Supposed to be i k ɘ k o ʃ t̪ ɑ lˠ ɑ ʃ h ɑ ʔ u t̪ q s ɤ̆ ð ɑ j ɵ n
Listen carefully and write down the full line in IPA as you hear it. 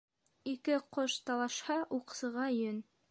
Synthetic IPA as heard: i k ɘ q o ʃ t̪ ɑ lˠ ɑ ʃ h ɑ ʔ u q s ɤ̆ ʁ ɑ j ɵ n